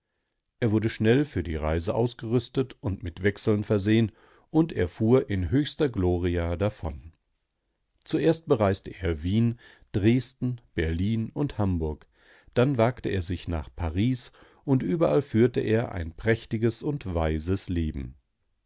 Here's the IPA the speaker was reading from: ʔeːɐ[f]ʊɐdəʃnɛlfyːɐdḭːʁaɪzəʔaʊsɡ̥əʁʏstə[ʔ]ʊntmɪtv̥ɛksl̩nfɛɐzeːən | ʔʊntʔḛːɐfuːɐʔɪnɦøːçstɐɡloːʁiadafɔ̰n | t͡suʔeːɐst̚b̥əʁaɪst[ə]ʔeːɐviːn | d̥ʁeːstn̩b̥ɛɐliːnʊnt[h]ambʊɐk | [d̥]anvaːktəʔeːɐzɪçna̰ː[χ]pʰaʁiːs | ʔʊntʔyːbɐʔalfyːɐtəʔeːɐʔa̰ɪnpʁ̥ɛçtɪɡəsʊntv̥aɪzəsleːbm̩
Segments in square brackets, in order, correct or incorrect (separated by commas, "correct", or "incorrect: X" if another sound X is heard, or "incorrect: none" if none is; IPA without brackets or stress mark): incorrect: v, incorrect: t, correct, correct, correct, correct